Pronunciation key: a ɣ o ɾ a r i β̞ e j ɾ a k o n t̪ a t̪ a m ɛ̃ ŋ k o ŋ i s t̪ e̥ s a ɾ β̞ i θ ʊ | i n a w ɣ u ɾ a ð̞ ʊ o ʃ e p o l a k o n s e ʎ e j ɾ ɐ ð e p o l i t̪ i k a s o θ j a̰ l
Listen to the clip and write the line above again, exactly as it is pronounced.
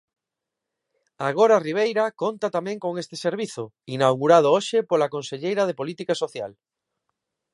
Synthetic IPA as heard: a ɣ o ɾ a r i β̞ e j ɾ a k o n t̪ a t̪ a m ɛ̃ ŋ k o ŋ e s t̪ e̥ s e ɾ β̞ i θ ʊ | i n a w ɣ u ɾ a ð̞ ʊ o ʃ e p o l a k o n s e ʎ e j ɾ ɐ ð e p o l i t̪ i k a s o θ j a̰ l